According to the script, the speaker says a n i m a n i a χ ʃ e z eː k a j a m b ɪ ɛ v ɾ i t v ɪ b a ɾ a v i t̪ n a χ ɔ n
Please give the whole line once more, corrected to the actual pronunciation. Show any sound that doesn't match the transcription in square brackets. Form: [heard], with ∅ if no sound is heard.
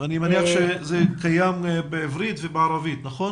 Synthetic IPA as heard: a n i m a n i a χ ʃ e z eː k a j a m b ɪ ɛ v ɾ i t v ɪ b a ɾ a v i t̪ n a χ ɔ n